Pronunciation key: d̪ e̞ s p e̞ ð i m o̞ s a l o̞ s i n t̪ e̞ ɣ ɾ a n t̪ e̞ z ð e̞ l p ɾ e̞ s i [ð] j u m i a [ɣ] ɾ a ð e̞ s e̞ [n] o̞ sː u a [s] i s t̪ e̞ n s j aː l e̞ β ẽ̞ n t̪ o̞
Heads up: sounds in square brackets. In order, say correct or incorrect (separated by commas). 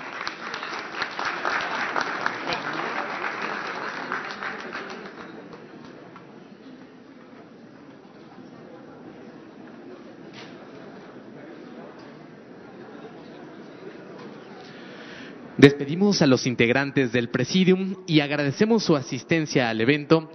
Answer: correct, correct, incorrect, correct